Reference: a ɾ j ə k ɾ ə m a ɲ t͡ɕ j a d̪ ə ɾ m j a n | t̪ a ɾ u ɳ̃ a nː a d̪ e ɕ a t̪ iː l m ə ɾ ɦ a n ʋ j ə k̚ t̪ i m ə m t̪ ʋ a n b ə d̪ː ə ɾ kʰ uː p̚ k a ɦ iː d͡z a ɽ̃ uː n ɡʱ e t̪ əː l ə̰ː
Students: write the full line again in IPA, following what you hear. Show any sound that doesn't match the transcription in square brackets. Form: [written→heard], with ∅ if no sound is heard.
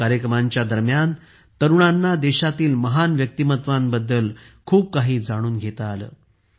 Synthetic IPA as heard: a ɾ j ə k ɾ ə m a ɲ t͡ɕ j a d̪ ə ɾ m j a n | t̪ [a→ə] ɾ u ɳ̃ a nː a d̪ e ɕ a t̪ iː l m ə [ɾ→∅] ɦ a n ʋ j ə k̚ t̪ i m ə [m→∅] t̪ ʋ a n b ə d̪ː ə [ɾ→l] kʰ uː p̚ k a ɦ iː d͡z a ɽ̃ uː n ɡʱ e t̪ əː l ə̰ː